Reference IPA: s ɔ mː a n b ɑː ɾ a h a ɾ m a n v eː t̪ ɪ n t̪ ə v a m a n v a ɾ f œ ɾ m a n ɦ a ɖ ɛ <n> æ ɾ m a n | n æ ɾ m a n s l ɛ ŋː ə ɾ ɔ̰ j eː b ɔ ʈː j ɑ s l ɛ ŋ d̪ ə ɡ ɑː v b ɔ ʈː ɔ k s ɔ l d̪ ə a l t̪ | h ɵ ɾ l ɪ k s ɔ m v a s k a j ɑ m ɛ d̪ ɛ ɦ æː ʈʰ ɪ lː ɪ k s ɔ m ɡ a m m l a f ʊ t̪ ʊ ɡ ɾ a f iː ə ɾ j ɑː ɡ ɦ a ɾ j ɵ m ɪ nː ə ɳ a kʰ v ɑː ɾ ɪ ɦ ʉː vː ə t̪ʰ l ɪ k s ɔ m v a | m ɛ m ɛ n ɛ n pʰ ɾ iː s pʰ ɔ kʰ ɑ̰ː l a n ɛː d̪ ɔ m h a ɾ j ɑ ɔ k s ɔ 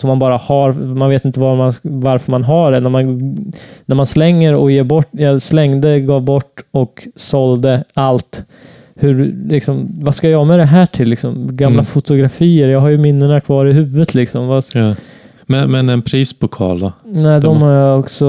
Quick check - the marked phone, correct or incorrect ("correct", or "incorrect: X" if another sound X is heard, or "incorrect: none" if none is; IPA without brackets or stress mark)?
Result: correct